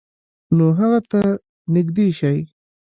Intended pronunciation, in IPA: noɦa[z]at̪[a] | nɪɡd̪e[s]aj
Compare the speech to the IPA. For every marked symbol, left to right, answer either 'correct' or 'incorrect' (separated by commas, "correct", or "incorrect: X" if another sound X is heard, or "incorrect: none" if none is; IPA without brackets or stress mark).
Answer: incorrect: ɣ, correct, incorrect: ʃ